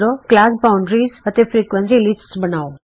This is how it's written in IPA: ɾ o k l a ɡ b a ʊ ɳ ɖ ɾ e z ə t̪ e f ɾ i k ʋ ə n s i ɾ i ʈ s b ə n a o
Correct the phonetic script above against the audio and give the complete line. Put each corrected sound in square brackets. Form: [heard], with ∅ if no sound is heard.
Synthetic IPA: ɾ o k l a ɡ b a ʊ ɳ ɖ ɾ [i] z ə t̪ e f ɾ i k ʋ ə n s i [l] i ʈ s b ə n a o